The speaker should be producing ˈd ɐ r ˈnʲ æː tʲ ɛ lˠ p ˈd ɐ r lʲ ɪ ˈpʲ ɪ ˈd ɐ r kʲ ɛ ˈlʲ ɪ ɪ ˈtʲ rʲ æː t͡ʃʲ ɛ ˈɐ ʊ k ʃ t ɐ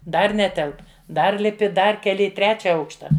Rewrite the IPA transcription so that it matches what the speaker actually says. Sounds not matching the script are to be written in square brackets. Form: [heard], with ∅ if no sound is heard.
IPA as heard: ˈd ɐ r ˈnʲ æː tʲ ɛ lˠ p ˈd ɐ r lʲ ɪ ˈpʲ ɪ ˈd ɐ r kʲ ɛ ˈlʲ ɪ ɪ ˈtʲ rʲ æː t͡ʃʲ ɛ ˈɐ ʊ k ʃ t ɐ